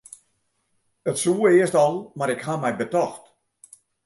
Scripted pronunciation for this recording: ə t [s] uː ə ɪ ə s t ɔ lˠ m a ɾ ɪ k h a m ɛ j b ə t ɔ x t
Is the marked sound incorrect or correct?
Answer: correct